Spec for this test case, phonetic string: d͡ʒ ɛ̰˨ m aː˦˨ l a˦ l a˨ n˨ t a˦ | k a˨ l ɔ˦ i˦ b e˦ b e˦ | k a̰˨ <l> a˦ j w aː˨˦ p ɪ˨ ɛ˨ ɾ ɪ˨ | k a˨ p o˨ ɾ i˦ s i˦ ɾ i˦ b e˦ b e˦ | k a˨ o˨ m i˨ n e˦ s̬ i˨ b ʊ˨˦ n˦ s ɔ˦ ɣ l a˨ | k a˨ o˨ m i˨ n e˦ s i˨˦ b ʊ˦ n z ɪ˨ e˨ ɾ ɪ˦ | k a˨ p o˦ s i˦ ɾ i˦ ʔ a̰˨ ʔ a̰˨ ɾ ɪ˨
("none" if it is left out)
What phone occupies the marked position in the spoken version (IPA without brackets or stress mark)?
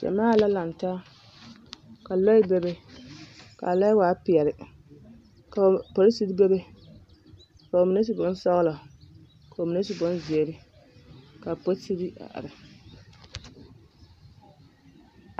l